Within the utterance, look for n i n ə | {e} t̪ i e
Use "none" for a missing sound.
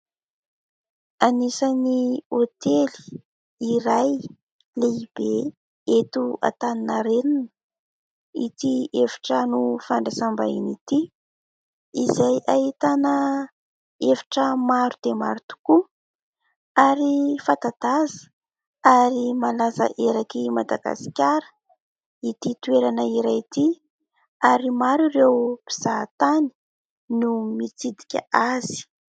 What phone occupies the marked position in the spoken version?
i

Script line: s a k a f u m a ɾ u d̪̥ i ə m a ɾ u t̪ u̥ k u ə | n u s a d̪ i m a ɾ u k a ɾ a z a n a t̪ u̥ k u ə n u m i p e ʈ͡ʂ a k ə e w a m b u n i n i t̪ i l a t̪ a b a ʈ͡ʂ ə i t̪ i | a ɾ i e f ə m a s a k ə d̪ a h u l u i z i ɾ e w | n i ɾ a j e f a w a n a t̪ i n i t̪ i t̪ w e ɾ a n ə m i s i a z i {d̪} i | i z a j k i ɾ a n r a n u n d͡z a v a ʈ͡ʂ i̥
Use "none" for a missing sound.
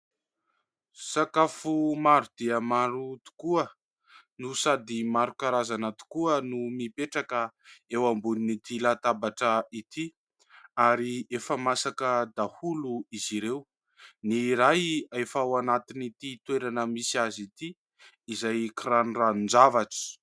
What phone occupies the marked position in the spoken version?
t̪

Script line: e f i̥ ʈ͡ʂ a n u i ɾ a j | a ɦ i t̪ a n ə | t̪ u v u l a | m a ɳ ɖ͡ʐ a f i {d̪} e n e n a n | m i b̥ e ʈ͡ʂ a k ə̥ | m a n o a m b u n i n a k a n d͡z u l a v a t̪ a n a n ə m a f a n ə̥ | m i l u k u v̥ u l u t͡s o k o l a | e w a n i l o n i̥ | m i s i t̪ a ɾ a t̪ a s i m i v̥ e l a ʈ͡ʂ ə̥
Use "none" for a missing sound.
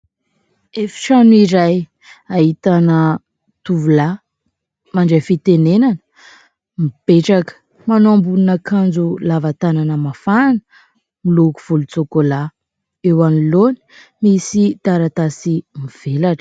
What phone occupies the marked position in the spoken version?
t̪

